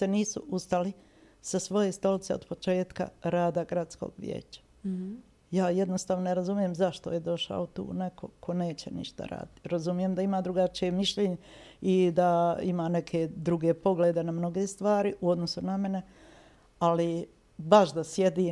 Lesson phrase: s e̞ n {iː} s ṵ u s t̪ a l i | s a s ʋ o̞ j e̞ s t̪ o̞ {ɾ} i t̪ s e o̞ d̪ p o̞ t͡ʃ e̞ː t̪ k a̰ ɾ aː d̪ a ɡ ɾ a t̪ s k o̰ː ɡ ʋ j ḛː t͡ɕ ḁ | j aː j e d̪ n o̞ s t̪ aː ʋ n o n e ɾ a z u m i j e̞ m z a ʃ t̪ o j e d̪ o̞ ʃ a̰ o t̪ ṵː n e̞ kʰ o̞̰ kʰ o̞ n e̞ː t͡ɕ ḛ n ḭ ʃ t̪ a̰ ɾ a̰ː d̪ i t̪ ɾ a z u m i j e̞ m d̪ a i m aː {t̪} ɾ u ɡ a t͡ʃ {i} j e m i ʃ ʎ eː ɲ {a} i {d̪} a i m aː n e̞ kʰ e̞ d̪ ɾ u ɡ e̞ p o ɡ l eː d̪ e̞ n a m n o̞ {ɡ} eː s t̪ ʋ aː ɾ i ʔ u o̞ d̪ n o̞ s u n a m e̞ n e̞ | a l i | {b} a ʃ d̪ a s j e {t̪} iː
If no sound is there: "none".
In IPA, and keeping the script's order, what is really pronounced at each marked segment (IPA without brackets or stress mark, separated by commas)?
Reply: iː, l, d̪, i, e, d̪, ɡ, b, d̪